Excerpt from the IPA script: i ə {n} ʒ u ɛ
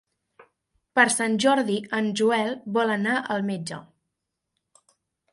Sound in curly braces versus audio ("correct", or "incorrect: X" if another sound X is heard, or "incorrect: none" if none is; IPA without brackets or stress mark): correct